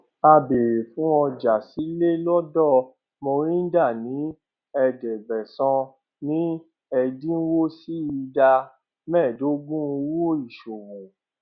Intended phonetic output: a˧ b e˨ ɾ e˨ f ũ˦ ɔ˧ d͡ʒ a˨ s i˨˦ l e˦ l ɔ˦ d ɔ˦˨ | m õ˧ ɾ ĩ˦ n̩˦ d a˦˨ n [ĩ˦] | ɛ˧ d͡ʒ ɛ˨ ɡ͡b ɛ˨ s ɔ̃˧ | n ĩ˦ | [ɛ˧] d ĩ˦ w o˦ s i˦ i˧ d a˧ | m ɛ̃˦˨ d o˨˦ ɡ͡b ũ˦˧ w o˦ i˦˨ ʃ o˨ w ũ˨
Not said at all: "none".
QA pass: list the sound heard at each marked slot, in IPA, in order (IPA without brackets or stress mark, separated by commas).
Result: ĩ˨˦, ɛ˧